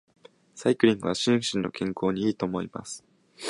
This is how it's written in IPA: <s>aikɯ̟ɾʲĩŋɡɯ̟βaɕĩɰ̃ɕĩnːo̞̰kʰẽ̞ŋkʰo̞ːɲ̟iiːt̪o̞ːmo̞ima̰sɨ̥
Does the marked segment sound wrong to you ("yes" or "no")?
no